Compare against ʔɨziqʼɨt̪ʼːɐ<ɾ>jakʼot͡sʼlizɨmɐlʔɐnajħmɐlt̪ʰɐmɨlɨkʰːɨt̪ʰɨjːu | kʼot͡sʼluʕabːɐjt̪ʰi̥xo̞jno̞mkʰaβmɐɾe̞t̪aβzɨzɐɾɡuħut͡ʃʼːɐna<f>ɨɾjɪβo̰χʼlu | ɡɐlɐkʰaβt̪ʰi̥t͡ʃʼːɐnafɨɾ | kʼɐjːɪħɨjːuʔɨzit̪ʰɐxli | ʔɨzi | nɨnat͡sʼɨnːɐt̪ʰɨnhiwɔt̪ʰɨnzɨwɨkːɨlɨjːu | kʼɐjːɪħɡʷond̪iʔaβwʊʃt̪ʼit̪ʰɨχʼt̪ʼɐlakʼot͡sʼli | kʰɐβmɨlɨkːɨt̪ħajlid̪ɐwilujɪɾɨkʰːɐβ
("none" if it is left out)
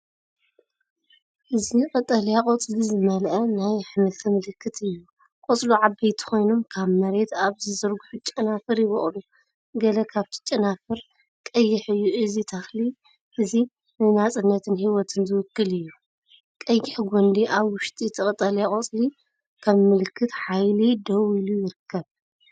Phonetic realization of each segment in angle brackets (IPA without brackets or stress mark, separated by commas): l, f